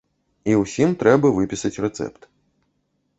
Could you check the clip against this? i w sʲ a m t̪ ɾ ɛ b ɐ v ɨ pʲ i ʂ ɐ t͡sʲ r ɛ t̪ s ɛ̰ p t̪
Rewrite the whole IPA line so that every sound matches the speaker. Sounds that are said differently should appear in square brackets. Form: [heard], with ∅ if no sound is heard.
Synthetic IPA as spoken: i w sʲ [i] m t̪ ɾ ɛ b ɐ v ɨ pʲ i [s] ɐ t͡sʲ r ɛ t̪ s ɛ̰ p t̪